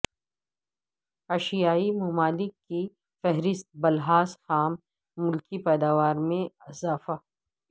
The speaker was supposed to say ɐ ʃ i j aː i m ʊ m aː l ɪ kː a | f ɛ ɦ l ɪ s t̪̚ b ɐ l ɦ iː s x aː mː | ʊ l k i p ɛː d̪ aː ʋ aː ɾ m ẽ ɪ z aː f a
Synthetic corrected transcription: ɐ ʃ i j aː i m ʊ m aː l ɪ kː i | f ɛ ɦ ɾ ɪ s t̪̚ b ɐ l ɦ aː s x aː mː | ʊ l k i p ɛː d̪ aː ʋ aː ɾ m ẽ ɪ z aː f a